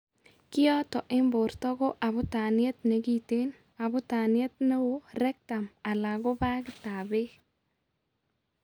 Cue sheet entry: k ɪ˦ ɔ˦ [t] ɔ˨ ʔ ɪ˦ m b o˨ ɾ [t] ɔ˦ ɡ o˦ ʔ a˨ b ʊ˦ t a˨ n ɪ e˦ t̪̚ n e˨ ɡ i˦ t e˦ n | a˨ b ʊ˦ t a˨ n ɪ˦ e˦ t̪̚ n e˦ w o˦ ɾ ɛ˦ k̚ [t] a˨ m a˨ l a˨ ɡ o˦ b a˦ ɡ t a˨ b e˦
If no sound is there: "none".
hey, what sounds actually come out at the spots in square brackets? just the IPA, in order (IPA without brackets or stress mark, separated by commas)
t, t, t